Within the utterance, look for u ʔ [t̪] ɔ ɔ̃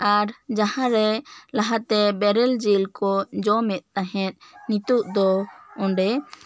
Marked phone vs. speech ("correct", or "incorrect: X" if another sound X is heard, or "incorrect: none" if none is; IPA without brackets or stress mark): incorrect: d̪